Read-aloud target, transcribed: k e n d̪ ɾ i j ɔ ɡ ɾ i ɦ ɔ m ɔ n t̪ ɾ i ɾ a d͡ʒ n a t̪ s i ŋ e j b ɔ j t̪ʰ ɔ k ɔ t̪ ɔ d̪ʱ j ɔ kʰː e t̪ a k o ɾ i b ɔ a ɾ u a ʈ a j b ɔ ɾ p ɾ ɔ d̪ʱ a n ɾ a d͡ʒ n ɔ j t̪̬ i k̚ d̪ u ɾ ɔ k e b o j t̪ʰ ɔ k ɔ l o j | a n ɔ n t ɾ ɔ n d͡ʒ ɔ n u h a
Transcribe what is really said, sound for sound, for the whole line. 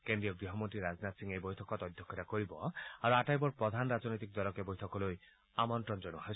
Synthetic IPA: k e n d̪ ɾ i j ɔ ɡ ɾ i ɦ ɔ m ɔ n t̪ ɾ i ɾ a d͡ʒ n a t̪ s i ŋ e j b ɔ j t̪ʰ ɔ k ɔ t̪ ɔ d̪ʱ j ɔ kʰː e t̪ a k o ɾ i b ɔ a ɾ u a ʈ a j b ɔ ɾ p ɾ ɔ d̪ʱ a n ɾ a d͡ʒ n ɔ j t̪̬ i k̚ d̪ ɔ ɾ ɔ k e b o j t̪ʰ ɔ k ɔ l o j | a m ɔ n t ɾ ɔ n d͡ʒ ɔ n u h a